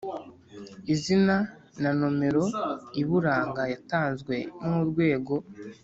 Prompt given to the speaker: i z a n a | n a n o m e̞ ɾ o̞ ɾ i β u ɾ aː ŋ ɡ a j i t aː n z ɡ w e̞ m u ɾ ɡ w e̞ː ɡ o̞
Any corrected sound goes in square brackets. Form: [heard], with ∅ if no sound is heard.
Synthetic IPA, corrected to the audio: i z [i] n a | n a n o m e̞ ɾ o̞ [∅] i β u ɾ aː ŋ ɡ a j [a] t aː n z ɡ w e̞ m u ɾ ɡ w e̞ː ɡ o̞